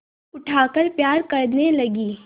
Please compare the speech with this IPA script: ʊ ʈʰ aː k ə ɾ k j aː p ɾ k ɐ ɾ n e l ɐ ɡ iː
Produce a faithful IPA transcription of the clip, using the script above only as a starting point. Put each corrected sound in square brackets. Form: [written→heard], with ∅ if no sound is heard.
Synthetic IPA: ʊ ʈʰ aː k ə ɾ [k→p] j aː [p→∅] ɾ k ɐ ɾ n e l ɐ ɡ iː